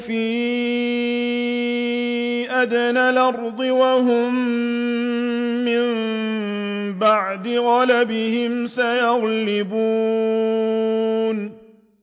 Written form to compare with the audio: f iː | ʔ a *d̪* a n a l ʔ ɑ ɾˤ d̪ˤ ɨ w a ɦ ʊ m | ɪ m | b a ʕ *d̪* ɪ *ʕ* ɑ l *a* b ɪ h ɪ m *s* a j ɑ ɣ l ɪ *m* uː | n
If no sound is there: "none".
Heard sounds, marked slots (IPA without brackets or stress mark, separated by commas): d̪, d̪, ɣ, a, s, b